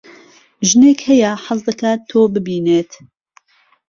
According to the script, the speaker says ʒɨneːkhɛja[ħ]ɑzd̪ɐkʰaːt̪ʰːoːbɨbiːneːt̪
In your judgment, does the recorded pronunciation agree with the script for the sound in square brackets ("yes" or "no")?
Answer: yes